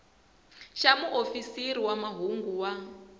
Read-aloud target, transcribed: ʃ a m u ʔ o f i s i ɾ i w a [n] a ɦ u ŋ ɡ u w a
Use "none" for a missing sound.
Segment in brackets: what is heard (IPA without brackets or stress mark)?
m